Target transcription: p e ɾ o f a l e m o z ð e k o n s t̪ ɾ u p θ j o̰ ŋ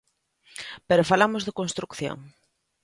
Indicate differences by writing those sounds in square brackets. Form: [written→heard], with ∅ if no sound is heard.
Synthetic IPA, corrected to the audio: p e ɾ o f a l [e→a] m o z ð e k o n s t̪ ɾ u [p→k] θ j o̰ ŋ